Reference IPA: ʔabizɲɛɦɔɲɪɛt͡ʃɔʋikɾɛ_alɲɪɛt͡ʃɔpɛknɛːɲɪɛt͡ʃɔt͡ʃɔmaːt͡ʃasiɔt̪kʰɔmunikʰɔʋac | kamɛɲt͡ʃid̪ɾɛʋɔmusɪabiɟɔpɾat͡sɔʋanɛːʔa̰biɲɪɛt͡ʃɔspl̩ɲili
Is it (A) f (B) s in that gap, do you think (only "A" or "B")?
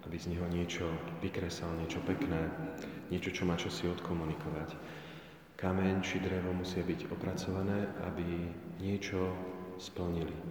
B